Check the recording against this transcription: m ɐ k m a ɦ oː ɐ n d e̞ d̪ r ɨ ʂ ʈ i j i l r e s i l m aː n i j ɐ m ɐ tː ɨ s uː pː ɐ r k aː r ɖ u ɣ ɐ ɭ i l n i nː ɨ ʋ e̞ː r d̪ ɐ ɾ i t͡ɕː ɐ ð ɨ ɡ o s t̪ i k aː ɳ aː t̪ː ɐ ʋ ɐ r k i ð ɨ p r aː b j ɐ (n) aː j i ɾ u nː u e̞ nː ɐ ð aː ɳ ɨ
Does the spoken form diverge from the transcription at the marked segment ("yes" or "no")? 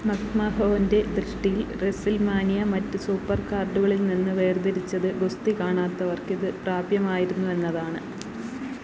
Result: yes